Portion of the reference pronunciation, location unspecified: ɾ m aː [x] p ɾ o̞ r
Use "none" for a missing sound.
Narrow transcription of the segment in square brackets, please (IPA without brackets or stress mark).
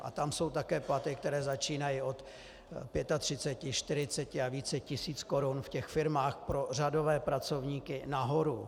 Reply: x